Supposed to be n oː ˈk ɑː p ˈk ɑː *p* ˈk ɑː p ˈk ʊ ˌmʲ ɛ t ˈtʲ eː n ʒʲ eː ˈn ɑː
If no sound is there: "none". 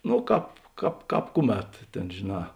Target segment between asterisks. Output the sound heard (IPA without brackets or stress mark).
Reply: p